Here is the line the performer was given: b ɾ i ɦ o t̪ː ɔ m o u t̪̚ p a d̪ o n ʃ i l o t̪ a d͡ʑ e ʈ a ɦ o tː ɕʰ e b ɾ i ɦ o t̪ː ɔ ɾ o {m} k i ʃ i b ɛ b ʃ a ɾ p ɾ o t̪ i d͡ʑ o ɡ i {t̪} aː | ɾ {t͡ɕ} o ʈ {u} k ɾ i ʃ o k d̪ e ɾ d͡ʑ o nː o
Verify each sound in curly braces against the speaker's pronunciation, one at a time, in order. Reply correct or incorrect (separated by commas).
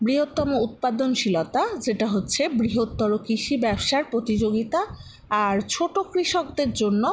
incorrect, correct, incorrect, incorrect